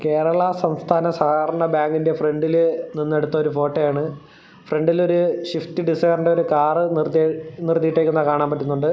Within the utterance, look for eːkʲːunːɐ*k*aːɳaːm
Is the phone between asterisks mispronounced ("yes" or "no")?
no